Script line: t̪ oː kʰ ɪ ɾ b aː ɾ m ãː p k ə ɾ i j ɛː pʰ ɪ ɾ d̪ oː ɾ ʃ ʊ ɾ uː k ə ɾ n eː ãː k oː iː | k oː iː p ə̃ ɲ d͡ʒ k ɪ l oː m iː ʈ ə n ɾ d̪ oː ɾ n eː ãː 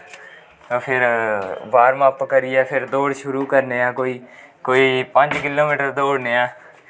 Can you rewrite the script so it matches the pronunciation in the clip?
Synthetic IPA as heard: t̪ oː pʰ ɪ ɾ b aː ɾ m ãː p k ə ɾ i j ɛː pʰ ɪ ɾ d̪ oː ɽ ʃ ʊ ɾ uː k ə ɾ n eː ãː k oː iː | k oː iː p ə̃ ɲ d͡ʒ k ɪ l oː m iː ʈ ə ɾ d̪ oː ɽ n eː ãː